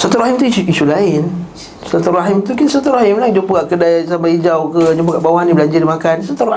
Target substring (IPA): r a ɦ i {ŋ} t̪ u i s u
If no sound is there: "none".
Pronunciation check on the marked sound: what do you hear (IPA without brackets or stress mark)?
m